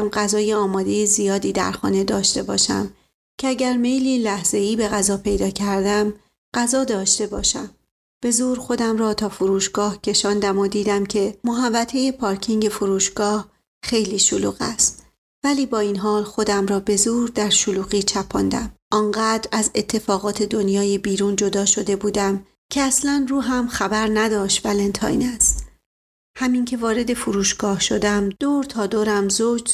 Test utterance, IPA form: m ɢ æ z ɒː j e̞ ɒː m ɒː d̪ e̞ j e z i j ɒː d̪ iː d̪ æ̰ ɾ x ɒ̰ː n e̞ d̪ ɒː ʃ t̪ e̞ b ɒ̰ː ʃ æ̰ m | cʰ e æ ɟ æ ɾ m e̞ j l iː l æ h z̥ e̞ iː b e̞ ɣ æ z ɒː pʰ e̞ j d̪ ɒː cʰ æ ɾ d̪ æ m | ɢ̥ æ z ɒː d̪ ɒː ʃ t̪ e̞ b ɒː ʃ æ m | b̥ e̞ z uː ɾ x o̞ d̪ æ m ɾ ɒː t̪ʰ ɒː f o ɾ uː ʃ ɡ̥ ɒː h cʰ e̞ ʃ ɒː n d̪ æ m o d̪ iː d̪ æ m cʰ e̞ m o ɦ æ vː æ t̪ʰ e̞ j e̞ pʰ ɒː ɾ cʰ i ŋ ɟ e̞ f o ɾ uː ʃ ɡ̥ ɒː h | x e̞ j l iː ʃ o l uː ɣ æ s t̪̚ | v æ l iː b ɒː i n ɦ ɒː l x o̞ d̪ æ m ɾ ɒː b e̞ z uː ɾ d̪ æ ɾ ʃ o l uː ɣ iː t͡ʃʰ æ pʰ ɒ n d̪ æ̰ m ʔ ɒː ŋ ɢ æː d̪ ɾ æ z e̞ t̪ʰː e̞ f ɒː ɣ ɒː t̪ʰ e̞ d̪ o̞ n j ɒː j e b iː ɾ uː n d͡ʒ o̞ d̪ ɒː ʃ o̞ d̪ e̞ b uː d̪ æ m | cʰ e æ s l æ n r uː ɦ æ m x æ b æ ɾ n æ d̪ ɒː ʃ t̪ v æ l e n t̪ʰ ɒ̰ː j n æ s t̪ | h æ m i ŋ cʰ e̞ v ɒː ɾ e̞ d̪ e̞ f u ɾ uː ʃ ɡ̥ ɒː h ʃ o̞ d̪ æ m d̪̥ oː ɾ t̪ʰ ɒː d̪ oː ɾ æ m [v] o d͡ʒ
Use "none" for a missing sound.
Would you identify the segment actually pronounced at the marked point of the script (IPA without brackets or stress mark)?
z